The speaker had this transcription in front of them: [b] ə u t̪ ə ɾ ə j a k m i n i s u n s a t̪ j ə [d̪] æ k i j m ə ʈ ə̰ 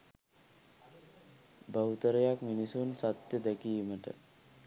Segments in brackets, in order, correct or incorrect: correct, correct

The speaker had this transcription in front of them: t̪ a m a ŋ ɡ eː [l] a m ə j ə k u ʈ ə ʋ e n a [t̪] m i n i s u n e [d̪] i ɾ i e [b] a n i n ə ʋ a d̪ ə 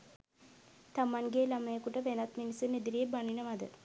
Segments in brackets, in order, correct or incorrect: correct, correct, correct, correct

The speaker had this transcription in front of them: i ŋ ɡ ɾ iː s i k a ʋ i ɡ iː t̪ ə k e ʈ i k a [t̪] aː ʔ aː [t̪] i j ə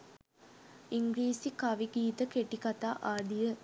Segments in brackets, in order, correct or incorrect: correct, incorrect

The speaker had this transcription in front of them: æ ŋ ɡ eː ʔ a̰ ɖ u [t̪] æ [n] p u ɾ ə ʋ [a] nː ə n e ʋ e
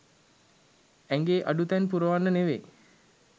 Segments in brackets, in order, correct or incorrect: correct, correct, correct

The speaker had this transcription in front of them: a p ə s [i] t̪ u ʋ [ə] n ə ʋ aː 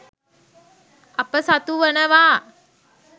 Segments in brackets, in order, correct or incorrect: incorrect, correct

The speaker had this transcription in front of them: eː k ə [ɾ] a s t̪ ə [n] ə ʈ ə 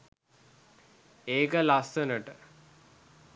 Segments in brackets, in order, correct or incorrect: incorrect, correct

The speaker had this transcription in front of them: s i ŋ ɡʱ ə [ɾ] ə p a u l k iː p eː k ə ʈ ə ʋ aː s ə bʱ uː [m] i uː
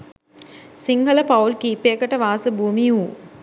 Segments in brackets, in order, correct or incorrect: incorrect, correct

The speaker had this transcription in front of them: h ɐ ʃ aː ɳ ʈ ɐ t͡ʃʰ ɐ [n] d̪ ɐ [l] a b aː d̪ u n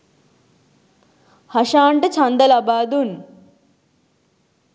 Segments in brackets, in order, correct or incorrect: correct, correct

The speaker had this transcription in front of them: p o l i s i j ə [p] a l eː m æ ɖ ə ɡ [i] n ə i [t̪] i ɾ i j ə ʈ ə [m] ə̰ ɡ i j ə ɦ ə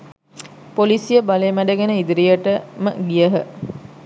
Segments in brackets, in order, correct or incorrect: incorrect, incorrect, incorrect, correct

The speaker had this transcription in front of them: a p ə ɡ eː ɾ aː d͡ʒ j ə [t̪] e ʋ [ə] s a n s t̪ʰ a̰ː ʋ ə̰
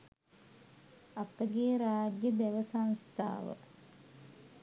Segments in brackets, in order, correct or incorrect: incorrect, correct

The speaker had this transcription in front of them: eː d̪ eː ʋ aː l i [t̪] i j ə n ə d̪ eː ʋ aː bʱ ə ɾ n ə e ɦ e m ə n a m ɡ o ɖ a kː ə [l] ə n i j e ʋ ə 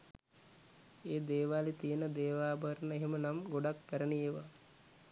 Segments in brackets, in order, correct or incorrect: correct, incorrect

